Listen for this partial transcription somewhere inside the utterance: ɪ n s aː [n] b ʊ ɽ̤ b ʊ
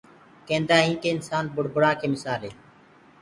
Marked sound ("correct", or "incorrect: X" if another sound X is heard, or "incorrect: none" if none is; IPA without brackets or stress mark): correct